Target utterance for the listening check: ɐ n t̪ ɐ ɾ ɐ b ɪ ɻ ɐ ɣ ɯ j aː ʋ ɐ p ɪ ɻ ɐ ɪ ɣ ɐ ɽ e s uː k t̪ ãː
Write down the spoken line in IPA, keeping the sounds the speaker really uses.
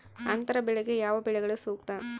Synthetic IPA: ɐ n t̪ ɐ ɾ ɐ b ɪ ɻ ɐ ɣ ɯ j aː ʋ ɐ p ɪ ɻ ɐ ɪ ɣ ɐ ɭ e s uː k t̪ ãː